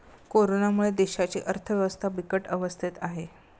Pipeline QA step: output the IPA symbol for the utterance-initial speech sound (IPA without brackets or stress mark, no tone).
k